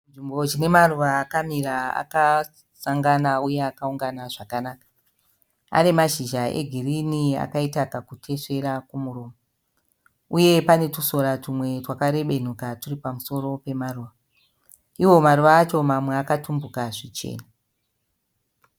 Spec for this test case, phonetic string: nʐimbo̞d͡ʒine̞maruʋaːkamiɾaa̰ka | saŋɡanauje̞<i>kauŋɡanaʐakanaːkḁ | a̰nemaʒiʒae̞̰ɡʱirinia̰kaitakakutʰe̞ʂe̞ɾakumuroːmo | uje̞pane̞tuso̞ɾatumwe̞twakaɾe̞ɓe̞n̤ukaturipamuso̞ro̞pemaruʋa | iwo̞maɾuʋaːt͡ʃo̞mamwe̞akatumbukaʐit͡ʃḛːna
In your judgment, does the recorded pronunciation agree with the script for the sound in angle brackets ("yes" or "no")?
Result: no